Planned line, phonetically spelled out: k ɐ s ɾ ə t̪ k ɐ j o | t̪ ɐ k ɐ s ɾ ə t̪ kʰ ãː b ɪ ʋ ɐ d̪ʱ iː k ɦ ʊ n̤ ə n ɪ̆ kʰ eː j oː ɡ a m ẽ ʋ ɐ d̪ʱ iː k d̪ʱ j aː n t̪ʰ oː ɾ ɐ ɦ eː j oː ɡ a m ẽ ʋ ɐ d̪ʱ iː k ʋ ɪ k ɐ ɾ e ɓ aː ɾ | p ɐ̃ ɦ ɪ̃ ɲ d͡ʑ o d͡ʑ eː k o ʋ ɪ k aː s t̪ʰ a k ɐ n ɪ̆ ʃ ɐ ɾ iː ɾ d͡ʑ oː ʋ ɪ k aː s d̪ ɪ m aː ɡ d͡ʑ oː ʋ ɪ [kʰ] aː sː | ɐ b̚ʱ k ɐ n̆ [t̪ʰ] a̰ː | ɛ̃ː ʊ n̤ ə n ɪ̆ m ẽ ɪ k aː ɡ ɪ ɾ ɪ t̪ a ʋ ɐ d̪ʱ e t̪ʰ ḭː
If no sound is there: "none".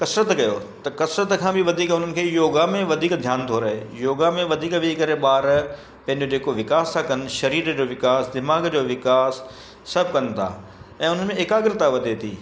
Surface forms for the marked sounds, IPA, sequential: k, t̪ʰ

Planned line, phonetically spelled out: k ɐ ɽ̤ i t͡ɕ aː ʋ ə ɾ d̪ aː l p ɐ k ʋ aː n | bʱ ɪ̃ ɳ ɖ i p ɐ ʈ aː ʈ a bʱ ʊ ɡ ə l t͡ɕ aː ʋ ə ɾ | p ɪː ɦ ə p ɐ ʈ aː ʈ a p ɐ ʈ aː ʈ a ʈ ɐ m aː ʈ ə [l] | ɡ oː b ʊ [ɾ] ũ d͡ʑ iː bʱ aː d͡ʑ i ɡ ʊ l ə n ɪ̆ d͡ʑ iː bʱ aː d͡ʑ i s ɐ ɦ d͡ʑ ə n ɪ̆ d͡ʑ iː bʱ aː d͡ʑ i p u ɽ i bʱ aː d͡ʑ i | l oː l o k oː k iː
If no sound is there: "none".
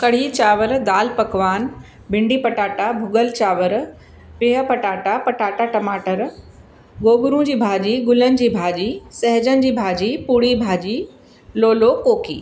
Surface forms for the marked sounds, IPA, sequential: ɾ, ɾ

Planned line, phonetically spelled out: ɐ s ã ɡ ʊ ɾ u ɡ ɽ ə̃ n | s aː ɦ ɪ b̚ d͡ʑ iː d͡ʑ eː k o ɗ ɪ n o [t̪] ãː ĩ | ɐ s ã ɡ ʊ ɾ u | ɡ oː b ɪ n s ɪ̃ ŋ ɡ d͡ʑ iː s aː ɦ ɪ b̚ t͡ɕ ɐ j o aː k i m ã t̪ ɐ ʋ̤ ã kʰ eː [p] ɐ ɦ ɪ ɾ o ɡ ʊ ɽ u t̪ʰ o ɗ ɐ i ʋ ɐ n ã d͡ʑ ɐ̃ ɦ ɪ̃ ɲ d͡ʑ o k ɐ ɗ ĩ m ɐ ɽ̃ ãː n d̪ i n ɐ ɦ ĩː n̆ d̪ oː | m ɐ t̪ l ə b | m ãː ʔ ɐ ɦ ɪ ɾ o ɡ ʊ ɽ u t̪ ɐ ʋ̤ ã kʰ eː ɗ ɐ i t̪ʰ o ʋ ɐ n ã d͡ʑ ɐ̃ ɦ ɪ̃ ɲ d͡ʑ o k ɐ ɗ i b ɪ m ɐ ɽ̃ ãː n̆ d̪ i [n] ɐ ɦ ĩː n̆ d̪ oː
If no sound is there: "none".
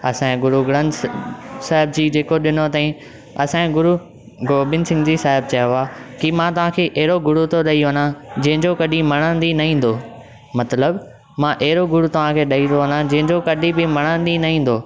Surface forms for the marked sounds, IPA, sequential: t̪, ʔ, n

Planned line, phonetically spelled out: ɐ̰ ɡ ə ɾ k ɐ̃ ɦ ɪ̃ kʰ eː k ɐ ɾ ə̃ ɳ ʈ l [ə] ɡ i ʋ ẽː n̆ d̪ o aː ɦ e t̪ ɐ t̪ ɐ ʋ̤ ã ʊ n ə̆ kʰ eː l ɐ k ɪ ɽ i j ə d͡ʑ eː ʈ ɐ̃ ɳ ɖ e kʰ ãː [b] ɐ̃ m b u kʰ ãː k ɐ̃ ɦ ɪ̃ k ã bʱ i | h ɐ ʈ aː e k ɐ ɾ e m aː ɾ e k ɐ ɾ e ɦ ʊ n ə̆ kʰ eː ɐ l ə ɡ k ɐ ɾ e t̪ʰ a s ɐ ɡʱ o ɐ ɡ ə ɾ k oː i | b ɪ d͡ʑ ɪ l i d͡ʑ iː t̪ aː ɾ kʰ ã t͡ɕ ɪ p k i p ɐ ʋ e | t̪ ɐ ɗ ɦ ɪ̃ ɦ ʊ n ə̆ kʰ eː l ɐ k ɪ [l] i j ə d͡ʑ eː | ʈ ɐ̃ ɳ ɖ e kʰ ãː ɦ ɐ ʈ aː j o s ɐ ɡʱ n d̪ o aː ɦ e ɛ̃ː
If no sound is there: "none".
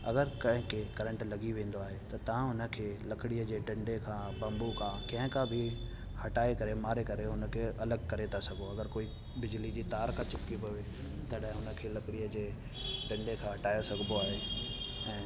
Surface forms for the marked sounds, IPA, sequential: ɐ, b, ɽ

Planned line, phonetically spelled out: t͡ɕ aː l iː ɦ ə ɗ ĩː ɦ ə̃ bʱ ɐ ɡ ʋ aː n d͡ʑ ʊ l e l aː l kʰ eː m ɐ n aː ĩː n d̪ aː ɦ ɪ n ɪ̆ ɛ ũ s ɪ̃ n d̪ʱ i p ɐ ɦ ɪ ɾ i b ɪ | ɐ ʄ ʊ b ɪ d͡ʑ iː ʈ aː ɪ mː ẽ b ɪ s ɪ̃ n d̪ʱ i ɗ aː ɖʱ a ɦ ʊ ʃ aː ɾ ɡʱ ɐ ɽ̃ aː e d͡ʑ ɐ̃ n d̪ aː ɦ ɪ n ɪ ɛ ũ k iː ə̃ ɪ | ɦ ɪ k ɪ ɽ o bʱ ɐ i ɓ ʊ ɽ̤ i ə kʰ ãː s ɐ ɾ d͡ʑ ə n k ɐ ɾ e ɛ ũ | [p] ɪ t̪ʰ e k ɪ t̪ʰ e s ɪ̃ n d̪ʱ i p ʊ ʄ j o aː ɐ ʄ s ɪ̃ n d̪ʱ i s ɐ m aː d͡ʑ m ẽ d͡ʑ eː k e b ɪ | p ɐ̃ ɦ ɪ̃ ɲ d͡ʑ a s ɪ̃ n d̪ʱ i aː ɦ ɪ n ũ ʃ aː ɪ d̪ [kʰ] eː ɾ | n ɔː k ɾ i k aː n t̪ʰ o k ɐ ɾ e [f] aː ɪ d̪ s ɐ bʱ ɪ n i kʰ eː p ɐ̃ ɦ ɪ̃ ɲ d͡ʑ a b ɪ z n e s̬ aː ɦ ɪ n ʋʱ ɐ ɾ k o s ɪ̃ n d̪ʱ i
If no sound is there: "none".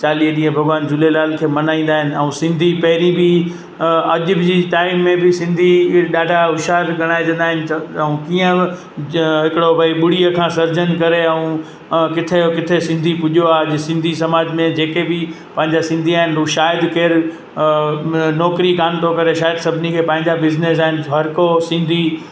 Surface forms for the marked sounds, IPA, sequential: k, k, ʃ

